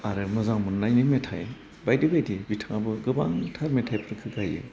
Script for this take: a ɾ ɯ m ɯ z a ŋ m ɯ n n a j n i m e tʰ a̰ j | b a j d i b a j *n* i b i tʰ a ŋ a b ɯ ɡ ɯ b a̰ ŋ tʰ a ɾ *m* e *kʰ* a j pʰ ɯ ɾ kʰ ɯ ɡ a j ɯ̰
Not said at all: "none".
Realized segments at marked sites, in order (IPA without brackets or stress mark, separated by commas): d, m, tʰ